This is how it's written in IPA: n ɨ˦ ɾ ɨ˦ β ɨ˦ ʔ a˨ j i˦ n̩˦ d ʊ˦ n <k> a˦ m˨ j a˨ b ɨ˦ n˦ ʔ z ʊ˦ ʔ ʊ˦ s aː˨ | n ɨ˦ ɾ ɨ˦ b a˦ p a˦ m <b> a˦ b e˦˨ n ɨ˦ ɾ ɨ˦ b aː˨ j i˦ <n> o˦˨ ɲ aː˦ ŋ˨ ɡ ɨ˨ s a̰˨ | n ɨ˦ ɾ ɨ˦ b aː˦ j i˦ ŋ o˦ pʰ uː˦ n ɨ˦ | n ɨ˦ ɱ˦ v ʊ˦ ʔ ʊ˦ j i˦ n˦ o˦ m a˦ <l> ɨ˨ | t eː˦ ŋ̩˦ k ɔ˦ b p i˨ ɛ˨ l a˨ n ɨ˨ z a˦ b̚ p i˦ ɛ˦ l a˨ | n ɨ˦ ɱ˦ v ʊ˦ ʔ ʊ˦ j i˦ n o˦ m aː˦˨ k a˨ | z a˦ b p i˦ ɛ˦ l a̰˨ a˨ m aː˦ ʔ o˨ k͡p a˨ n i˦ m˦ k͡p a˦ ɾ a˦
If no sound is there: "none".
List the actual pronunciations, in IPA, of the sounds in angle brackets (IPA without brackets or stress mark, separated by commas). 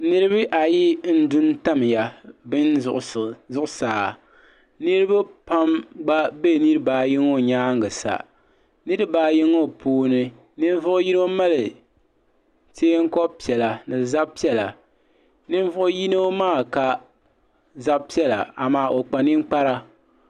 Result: t, ɡ͡b, ŋ, l